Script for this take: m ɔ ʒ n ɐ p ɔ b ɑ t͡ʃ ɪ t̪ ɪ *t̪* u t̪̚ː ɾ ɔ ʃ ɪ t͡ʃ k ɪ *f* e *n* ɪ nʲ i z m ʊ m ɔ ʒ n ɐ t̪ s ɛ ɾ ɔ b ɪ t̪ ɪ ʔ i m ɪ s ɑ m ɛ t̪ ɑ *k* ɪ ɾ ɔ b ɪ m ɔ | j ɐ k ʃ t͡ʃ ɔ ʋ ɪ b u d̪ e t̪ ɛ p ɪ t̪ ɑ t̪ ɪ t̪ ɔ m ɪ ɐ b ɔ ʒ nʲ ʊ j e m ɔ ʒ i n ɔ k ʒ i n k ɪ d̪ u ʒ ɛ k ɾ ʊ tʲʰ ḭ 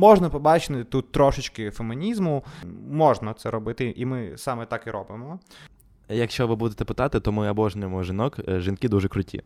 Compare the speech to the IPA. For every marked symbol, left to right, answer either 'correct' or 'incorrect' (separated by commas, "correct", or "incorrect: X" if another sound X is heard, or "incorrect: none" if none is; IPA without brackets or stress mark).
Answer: correct, correct, incorrect: m, correct